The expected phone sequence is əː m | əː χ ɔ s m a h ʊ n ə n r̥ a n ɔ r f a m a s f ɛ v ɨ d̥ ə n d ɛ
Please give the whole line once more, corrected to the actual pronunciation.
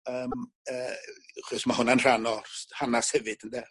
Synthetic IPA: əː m | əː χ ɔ s m a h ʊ n a n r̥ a n ɔ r h a n a s h ɛ v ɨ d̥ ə n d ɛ